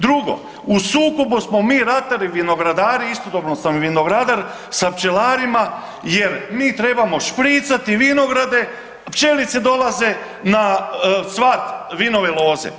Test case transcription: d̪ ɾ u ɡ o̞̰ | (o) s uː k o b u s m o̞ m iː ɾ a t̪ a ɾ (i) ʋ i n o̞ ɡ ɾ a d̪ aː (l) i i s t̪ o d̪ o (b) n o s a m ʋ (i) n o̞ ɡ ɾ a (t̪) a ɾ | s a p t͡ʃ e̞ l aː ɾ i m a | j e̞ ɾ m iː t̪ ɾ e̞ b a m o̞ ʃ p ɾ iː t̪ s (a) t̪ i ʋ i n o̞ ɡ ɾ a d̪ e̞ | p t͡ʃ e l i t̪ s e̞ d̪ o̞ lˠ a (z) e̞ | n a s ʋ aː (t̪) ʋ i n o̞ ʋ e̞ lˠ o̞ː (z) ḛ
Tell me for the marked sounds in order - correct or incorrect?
incorrect, correct, incorrect, correct, correct, incorrect, correct, correct, correct, correct

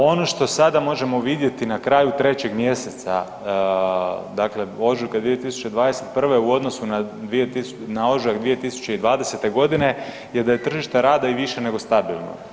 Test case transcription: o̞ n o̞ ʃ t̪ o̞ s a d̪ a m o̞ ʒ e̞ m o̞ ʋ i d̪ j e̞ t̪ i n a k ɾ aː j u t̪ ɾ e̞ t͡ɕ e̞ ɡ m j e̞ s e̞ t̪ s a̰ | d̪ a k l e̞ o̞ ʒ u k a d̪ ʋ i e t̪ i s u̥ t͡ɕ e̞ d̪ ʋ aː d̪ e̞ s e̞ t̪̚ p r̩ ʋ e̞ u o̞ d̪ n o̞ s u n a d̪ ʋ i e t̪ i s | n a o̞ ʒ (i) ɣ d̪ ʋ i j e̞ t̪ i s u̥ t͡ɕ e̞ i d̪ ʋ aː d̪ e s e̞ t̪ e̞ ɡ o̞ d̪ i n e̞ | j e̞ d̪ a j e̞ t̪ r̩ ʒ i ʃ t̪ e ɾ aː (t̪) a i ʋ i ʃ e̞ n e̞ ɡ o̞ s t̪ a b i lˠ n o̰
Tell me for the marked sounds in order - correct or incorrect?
incorrect, incorrect

